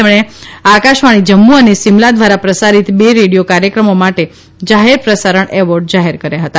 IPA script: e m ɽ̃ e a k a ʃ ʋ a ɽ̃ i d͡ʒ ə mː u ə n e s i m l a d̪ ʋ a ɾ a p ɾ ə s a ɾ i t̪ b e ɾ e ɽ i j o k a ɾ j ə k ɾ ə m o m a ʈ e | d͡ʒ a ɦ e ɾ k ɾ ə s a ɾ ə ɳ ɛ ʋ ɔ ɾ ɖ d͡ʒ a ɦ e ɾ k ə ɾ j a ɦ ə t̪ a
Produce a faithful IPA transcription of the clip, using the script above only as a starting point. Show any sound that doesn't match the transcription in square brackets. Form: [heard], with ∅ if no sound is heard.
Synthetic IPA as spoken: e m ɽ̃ e a k a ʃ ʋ a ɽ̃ i d͡ʒ ə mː u ə n e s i m l a d̪ ʋ a ɾ a p ɾ ə s a ɾ i t̪ b e ɾ e ɽ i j o k a ɾ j ə k ɾ ə m o m a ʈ e | d͡ʒ a ɦ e ɾ [p] ɾ ə s a ɾ ə ɳ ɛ ʋ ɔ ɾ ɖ d͡ʒ a ɦ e ɾ k ə ɾ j a ɦ ə t̪ a